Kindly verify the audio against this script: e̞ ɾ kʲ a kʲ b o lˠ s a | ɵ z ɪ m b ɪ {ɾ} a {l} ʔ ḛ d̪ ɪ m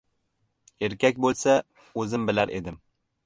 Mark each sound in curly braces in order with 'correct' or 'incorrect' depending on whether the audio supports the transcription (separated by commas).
incorrect, incorrect